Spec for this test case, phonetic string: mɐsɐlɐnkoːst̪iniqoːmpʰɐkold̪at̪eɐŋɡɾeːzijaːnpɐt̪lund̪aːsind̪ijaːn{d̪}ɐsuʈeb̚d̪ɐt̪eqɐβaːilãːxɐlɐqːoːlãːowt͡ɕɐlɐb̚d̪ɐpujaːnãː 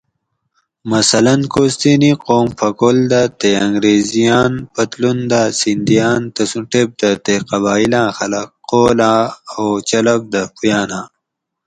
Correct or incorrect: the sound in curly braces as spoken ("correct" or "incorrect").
incorrect